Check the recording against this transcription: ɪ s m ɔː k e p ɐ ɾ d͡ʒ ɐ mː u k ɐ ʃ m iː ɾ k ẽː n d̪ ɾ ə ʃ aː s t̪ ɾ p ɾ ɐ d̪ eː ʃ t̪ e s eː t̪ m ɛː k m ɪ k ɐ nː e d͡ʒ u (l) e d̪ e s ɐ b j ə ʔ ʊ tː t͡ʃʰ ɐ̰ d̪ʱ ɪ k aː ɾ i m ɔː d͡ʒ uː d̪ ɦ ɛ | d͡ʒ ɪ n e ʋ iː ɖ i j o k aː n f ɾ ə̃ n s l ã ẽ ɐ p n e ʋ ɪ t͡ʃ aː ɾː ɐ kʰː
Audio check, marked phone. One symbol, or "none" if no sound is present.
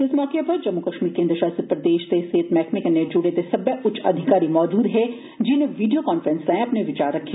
ɽ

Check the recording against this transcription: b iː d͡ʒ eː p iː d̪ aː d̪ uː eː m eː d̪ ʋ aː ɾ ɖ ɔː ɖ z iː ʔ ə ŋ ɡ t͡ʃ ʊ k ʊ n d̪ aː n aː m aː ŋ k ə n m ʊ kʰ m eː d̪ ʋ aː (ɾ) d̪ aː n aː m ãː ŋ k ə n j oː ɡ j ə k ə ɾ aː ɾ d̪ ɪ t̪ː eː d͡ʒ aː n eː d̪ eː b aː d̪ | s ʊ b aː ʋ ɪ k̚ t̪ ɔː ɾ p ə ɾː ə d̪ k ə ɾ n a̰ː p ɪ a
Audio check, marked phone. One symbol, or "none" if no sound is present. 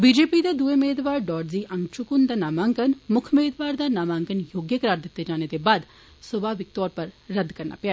ɾ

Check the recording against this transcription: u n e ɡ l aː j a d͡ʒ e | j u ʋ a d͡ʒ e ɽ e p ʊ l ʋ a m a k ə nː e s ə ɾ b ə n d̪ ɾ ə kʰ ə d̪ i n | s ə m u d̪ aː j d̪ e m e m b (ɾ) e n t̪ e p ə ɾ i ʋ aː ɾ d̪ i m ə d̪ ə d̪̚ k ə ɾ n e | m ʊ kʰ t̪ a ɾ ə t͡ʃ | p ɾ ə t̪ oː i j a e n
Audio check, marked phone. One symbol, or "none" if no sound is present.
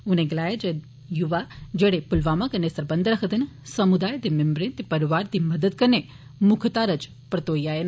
ɾ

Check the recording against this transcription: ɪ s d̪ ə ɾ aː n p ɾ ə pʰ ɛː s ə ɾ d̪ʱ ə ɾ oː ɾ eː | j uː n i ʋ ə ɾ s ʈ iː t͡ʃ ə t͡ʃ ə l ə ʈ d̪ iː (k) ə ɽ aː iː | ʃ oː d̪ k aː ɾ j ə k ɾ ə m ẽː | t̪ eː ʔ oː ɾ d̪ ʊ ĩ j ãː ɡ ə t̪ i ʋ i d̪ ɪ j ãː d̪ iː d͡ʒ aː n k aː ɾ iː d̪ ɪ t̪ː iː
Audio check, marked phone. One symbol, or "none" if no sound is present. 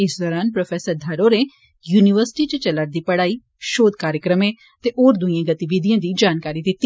p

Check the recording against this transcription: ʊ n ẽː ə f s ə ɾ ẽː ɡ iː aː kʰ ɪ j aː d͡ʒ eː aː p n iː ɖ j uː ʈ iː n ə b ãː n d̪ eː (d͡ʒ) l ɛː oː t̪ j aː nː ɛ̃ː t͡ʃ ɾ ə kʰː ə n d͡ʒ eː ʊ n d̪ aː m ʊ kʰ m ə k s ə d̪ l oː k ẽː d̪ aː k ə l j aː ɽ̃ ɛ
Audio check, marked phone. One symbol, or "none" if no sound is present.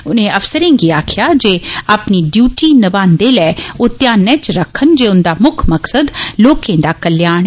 none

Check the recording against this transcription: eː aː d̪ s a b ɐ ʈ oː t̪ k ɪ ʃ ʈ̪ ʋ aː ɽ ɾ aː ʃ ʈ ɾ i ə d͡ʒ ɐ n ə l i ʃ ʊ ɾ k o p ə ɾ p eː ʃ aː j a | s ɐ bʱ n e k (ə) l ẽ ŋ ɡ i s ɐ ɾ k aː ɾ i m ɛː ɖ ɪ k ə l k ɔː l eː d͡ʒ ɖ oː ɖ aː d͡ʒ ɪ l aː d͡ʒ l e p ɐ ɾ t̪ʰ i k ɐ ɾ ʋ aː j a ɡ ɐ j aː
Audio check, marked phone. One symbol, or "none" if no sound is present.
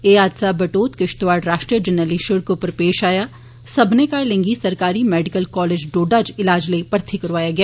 a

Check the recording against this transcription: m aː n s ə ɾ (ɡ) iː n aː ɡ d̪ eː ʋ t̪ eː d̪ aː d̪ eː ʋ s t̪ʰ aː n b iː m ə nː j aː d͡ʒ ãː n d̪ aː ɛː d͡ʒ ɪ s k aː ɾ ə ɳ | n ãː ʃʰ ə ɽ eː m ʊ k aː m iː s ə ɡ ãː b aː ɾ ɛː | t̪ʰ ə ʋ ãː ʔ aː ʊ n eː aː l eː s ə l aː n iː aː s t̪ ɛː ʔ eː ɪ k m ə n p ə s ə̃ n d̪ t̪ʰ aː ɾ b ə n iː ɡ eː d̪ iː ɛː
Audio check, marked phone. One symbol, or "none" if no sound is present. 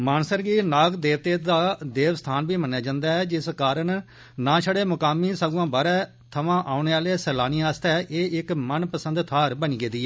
ɡ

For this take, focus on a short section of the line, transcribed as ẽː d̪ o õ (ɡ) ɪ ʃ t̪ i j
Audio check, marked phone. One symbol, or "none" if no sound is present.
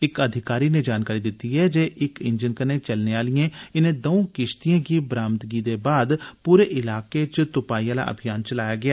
k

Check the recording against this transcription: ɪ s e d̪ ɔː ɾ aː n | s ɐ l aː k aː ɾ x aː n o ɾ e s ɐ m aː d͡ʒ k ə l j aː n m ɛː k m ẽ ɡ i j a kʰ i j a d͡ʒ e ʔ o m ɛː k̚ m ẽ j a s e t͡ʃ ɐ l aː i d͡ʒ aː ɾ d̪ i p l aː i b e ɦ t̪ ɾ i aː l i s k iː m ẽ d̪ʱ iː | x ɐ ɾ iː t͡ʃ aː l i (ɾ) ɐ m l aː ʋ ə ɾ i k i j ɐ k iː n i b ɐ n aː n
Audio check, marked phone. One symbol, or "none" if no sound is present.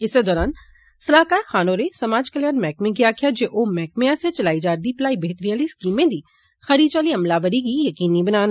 none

